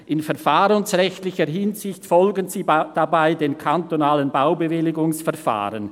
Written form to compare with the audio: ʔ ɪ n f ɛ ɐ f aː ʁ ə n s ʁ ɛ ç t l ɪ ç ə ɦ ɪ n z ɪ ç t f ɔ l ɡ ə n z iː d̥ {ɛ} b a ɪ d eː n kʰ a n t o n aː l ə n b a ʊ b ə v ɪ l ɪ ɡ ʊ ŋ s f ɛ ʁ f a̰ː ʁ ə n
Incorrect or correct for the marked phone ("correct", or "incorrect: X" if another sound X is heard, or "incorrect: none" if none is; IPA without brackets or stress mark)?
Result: incorrect: a